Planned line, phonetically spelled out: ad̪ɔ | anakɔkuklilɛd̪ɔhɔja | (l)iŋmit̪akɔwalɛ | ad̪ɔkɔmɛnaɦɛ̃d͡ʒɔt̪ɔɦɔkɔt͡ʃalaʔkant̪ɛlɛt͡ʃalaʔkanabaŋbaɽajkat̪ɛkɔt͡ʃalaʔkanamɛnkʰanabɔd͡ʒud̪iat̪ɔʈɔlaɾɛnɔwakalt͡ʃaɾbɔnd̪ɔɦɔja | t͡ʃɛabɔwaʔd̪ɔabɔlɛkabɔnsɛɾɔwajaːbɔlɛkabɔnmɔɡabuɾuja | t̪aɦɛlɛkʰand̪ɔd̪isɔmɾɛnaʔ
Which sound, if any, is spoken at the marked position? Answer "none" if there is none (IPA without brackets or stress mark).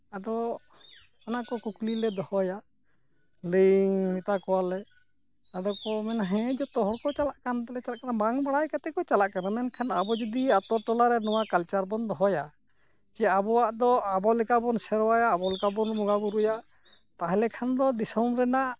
l